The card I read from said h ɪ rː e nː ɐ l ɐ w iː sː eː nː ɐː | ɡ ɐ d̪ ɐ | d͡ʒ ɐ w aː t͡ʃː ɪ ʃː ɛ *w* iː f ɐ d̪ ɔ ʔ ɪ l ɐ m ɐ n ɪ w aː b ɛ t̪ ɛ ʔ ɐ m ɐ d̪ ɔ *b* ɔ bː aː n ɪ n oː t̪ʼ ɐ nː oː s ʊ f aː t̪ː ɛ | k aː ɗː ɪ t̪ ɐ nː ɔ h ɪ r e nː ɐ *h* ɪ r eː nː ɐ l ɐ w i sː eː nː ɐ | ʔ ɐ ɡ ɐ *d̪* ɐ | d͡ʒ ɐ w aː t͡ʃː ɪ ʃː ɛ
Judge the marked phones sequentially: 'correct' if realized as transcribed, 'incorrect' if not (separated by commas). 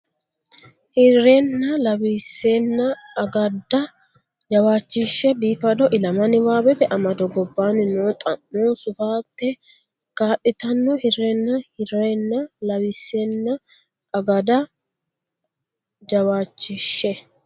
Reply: incorrect, incorrect, correct, correct